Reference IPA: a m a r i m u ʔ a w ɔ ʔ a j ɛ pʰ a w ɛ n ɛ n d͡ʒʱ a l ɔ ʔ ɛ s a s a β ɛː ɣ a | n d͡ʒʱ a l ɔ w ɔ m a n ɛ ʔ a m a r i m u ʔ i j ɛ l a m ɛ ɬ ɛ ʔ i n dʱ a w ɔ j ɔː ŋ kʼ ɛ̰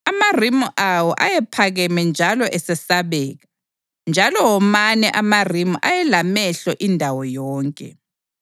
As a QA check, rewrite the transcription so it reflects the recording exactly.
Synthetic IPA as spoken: a m a r i m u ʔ a w ɔ ʔ a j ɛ pʰ a ɣ ɛ m ɛ n d͡ʒʱ a l ɔ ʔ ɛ s ɛ s a β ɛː ɣ a | n d͡ʒʱ a l ɔ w ɔ m a n ɛ ʔ a m a r i m u ʔ a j ɛ l a m ɛ ɬ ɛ ʔ i n dʱ a w ɔ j ɔː ŋ kʼ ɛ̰